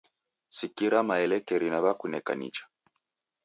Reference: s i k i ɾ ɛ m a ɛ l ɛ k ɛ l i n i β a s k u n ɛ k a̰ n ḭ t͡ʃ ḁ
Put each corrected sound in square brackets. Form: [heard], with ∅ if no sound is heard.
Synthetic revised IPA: s i k i ɾ [a] m a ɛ l ɛ k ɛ [ɾ] i n [a] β a [∅] k u n ɛ k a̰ n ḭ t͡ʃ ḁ